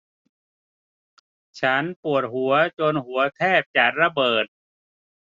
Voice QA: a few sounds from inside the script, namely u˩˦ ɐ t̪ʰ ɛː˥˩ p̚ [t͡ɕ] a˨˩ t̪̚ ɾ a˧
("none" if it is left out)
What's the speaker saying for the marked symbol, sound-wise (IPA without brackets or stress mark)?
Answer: t͡ɕ